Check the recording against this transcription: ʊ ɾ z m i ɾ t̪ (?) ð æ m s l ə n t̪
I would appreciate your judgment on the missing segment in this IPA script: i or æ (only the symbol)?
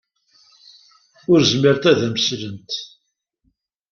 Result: æ